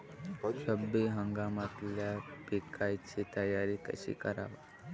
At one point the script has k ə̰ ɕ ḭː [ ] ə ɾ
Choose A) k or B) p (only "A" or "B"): A